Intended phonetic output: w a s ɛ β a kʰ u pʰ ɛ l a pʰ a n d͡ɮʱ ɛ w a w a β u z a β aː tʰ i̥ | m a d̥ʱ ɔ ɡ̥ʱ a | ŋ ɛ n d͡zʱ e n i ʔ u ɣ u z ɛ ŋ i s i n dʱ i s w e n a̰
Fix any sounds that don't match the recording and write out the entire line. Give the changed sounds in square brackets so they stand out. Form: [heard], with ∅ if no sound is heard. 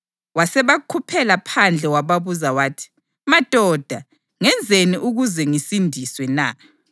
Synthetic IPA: w a s ɛ β a kʰ u pʰ ɛ l a pʰ a n d͡ɮʱ ɛ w a [β] a β u z a [w] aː tʰ i̥ | m a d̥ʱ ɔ [d̥ʱ] a | ŋ ɛ n d͡zʱ e n i ʔ u ɣ u z ɛ ŋ i s i n dʱ i s w [ɛ] n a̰